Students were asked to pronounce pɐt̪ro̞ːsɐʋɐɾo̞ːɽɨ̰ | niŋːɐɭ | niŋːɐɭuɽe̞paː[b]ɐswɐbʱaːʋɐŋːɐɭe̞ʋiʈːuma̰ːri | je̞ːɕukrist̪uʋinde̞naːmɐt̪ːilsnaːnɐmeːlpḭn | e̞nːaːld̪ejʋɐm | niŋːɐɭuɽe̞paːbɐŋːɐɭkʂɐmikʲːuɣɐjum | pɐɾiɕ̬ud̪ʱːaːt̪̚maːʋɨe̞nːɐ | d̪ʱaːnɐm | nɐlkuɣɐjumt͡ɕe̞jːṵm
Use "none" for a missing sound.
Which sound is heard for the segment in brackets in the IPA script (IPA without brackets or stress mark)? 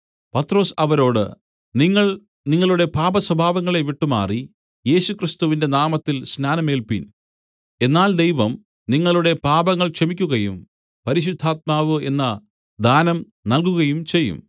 b